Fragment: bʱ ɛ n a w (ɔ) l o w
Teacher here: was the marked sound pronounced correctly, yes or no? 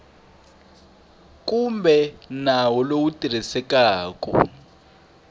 yes